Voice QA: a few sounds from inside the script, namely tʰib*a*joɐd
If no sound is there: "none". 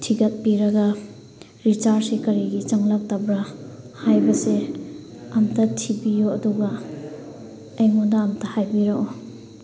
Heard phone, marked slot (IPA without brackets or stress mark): i